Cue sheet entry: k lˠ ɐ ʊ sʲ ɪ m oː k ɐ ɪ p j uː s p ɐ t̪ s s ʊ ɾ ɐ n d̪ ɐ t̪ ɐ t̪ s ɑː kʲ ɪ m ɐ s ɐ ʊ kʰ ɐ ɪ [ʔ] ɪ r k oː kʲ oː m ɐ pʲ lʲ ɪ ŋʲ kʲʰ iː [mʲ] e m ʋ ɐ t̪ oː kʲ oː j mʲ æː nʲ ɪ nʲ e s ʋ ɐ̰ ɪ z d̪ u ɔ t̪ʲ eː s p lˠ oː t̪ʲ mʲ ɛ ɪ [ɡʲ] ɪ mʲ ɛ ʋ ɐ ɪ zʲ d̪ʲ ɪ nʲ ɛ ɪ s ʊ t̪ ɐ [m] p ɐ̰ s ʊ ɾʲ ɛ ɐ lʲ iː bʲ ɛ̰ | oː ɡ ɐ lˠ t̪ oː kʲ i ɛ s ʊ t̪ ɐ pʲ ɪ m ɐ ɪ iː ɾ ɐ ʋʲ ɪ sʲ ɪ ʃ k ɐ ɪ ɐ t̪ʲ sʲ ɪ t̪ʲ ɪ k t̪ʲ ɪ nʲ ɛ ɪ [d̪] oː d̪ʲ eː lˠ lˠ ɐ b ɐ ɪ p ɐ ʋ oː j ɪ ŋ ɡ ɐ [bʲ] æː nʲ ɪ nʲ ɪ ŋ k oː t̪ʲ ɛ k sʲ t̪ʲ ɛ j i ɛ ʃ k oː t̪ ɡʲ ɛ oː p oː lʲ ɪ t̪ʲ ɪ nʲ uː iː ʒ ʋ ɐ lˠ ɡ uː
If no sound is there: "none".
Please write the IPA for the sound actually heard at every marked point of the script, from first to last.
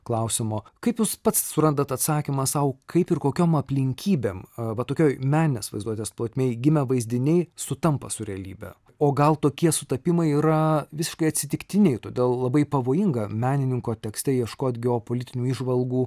p, bʲ, ɡʲ, m, t̪, mʲ

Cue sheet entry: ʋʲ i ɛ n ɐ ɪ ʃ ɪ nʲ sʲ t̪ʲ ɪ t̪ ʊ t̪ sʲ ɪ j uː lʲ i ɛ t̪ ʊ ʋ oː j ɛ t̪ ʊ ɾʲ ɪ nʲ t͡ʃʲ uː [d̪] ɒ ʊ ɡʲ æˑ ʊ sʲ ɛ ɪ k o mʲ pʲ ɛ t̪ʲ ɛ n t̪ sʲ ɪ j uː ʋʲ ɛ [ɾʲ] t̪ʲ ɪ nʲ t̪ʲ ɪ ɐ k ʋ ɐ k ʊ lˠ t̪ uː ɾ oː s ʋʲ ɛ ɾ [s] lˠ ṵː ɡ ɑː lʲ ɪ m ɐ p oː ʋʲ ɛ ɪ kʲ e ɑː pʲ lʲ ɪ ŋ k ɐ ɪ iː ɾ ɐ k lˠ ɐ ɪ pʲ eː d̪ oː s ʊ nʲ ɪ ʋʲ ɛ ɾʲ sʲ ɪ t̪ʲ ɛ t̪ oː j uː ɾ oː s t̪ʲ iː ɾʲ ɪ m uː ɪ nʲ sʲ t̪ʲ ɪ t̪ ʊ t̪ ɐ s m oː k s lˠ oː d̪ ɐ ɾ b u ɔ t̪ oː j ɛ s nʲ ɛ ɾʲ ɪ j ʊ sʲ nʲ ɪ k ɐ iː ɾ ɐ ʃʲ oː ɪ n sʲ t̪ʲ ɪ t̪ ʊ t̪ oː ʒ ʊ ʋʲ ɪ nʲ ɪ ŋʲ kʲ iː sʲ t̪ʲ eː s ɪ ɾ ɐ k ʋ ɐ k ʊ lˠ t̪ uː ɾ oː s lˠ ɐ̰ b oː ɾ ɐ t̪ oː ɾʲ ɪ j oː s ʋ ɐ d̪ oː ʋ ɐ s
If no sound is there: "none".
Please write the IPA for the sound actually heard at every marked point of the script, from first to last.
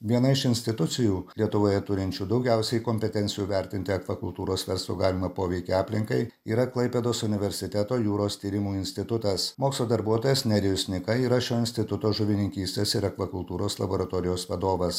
d̪, ɾʲ, s

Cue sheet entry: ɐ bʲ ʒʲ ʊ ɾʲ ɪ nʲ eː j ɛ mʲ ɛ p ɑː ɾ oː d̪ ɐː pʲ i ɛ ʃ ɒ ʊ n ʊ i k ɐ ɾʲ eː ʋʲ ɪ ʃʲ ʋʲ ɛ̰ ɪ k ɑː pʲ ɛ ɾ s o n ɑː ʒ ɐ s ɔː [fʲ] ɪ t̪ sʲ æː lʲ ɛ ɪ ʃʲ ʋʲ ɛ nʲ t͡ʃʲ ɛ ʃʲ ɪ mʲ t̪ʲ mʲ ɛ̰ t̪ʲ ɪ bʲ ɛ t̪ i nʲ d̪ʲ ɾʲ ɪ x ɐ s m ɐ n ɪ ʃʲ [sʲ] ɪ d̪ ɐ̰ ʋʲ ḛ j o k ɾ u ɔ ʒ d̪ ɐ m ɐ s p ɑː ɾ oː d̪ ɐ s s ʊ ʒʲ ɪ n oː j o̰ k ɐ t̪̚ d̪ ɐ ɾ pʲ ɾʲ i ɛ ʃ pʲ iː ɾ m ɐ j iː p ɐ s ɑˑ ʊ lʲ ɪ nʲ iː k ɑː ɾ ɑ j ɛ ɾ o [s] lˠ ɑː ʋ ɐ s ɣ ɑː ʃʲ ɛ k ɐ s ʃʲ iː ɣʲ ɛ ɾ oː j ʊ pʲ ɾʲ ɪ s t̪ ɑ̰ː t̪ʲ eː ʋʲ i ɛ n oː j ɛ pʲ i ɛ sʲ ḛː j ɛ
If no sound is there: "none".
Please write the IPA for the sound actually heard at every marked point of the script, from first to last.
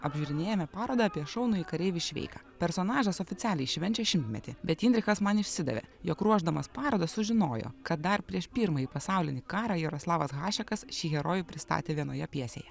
fʲ, sʲ, s

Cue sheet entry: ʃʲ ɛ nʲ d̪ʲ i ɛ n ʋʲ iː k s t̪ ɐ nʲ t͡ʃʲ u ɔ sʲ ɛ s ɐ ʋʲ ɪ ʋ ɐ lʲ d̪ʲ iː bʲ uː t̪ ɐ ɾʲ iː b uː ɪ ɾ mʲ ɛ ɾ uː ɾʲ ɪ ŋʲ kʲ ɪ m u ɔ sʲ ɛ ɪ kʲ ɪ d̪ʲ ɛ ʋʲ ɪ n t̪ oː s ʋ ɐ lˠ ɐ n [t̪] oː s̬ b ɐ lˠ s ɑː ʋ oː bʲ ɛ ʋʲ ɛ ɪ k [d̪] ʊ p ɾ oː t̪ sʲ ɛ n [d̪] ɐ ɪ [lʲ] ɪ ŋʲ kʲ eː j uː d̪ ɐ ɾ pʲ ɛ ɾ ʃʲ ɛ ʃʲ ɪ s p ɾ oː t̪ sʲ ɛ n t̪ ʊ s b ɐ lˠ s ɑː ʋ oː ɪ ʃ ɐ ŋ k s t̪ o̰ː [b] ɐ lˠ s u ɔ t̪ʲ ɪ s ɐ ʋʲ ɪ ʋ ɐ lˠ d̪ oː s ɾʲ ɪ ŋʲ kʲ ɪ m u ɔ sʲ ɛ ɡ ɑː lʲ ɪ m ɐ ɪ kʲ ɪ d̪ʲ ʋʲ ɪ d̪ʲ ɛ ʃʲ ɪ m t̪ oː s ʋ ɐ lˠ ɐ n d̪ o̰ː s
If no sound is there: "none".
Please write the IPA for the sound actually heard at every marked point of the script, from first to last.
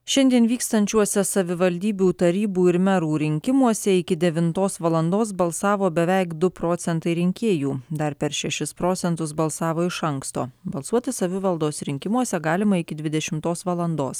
d̪, d̪, t̪, ɾʲ, b

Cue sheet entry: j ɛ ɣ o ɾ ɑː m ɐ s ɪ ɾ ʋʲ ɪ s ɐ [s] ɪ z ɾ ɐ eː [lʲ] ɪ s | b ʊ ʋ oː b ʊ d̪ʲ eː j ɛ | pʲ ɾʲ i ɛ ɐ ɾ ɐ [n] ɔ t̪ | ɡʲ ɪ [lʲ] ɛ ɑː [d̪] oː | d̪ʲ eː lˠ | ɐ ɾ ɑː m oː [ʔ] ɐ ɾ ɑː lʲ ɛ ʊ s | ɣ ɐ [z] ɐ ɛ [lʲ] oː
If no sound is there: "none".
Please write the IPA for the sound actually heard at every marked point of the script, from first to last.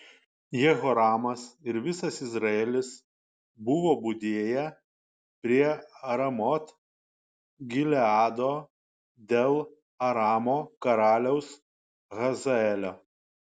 s, lʲ, m, lʲ, d̪, k, z, lʲ

